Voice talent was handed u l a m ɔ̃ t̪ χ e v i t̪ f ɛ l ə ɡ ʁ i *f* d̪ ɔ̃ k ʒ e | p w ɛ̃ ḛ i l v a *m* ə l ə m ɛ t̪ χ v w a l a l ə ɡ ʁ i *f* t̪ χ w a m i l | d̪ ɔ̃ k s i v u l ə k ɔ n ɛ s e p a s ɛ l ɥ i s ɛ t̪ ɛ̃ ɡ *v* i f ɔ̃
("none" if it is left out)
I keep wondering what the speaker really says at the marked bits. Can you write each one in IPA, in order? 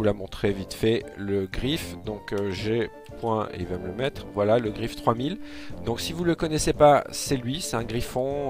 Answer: f, m, f, ʁ

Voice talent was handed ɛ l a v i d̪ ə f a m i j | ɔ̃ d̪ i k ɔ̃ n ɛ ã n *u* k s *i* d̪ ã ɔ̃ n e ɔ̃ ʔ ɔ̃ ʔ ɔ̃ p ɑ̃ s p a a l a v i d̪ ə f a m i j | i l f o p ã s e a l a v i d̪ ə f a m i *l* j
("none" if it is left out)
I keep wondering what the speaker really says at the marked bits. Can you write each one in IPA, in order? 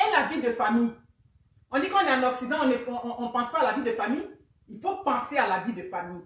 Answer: ɔ, i, none

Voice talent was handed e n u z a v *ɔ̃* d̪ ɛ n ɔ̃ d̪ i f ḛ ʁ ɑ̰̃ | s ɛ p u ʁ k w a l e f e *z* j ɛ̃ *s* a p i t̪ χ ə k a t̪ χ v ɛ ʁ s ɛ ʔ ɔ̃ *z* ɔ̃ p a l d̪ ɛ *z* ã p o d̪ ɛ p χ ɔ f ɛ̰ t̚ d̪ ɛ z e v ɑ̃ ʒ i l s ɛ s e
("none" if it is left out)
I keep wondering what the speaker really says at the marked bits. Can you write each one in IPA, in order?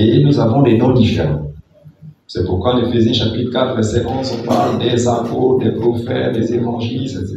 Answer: ɔ̃, z, ʃ, z, z

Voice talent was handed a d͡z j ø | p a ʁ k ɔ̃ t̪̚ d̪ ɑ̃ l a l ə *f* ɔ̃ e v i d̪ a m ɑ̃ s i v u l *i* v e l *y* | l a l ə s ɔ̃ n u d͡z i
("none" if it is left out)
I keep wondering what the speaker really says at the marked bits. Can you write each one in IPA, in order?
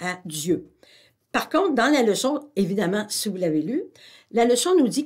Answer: s, a, y

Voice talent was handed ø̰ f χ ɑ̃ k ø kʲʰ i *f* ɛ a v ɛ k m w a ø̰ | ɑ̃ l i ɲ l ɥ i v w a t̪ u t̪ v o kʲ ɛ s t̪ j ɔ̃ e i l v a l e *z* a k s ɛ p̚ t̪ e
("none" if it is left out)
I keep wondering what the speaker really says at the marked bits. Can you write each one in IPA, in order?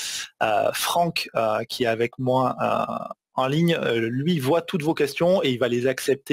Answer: none, z

